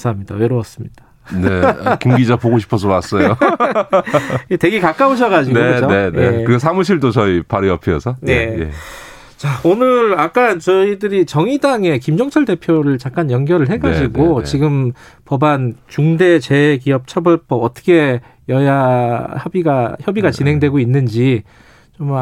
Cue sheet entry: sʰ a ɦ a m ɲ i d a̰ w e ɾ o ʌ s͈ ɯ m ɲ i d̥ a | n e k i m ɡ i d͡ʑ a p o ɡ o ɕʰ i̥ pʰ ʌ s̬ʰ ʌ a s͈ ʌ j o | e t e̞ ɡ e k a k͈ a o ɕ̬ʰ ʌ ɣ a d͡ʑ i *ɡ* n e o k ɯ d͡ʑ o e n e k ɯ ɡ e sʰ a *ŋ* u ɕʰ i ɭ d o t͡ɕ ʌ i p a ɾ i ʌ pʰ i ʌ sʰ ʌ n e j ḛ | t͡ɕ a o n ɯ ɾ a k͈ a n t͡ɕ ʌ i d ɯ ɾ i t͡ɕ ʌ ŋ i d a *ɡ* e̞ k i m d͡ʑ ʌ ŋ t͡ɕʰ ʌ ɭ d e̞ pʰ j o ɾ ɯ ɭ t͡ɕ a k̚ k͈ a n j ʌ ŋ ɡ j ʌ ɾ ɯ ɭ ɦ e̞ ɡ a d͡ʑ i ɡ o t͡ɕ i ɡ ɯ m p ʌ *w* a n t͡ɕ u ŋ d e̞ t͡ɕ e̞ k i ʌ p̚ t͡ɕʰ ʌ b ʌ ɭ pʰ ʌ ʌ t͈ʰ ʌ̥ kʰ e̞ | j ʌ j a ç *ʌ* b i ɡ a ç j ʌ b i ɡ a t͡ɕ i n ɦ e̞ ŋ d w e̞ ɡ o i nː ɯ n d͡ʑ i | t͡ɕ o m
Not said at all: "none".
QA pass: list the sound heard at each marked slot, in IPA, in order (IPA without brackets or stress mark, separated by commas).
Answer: ɡ, m, ŋ, b, ʌ